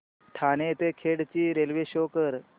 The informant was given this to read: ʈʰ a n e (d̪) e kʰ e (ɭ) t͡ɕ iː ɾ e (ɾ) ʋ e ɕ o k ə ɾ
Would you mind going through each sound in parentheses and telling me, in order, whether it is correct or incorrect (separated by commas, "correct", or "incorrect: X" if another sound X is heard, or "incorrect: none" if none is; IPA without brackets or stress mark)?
incorrect: t̪, incorrect: ɽ, incorrect: l